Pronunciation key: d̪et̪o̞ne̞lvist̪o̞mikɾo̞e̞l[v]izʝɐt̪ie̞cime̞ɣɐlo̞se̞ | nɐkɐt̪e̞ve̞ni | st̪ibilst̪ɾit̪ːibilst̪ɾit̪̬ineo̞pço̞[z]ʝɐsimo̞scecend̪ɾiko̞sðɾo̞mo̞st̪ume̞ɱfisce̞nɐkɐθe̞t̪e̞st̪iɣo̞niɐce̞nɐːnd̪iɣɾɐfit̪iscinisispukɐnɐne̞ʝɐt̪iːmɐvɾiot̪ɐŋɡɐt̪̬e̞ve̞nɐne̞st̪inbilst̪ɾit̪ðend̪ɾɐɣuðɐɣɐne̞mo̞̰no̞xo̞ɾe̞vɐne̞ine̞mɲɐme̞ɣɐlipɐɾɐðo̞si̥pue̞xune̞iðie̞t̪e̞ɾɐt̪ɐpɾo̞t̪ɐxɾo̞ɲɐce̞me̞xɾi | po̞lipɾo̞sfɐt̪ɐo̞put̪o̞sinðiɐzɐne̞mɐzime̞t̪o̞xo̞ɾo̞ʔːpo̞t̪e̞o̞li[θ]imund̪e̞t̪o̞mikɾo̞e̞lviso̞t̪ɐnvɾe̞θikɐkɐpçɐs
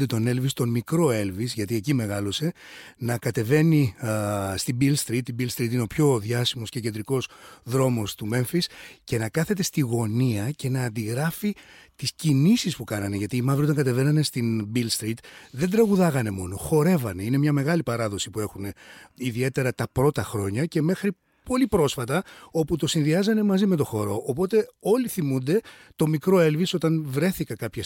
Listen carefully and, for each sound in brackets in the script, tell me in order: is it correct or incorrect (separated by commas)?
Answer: correct, incorrect, correct